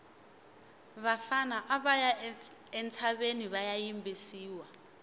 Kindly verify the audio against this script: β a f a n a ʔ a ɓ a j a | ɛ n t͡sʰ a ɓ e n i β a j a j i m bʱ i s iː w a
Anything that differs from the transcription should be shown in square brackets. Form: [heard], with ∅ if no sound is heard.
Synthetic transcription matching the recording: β a f a n a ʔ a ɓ a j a | ɛ n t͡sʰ a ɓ e n i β a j a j i m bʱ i s iː w a